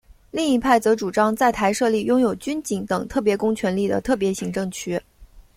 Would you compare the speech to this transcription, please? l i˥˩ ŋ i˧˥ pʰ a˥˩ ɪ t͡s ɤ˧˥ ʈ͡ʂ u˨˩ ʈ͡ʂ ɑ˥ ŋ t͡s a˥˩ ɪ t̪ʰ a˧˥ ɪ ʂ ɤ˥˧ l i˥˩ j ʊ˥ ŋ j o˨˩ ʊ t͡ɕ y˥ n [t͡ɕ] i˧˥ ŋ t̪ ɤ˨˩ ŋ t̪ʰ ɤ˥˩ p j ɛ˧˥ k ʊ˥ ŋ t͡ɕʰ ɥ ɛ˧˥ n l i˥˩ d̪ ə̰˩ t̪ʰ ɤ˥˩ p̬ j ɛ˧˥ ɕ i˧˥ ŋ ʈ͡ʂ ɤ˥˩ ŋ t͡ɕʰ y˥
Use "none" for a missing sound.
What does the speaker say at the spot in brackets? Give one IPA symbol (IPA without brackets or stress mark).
t͡ɕ